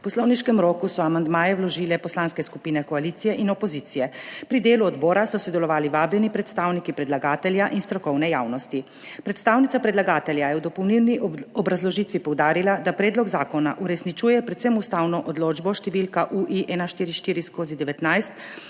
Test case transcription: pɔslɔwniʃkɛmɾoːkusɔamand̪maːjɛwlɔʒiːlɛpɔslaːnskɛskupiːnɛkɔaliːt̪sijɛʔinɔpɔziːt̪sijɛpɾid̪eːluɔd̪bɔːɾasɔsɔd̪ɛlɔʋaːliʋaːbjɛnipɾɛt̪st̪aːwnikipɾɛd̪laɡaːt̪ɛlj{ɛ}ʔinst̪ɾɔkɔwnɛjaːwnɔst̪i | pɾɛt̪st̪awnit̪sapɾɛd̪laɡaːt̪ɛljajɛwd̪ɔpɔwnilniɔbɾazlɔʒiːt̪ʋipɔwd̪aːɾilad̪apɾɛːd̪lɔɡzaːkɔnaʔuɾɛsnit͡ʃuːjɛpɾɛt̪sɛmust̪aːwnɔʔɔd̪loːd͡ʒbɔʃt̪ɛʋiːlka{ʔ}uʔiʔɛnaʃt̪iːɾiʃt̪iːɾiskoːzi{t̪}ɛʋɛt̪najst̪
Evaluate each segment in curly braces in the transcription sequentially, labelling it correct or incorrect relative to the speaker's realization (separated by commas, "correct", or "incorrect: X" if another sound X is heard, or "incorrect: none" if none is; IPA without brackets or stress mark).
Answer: incorrect: a, correct, incorrect: d̪